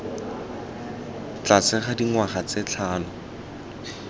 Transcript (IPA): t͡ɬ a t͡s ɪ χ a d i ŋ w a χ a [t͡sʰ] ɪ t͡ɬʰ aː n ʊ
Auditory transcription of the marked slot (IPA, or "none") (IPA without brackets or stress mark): t͡s